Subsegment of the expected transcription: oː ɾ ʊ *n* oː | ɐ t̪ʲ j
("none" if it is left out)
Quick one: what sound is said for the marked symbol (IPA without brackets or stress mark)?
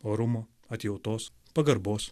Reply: m